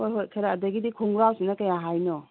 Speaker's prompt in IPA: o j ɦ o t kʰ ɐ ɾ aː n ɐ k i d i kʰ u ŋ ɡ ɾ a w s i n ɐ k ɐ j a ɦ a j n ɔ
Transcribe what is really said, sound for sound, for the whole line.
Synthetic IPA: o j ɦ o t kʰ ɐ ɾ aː d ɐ ɡ i d i kʰ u ŋ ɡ ɾ a w s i n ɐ k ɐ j a ɦ a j n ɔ